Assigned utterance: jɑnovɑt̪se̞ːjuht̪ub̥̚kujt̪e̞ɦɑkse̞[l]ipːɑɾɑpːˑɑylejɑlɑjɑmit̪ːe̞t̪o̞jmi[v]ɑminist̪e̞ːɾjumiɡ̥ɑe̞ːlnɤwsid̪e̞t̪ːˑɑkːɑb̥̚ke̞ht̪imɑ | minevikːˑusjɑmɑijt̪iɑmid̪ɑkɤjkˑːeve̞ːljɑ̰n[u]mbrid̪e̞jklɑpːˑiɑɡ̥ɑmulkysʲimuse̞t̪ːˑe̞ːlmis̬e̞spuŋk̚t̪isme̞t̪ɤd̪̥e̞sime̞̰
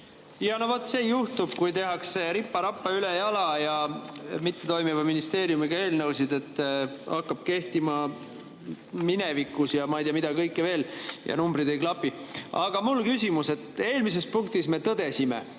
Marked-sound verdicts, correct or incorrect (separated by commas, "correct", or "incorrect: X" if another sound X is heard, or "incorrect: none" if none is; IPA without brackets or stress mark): incorrect: ɾ, correct, correct